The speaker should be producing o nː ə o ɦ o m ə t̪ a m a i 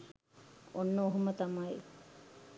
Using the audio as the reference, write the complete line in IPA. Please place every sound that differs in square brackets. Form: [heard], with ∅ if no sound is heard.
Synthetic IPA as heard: o nː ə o ɦ [u] m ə t̪ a m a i